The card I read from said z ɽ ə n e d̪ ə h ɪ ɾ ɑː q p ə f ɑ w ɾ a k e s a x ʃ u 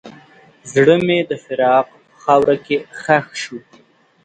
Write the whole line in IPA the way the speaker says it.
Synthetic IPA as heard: z ɽ ə m e d̪ ə f ɪ ɾ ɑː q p ə x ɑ w ɾ a k e x a x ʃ u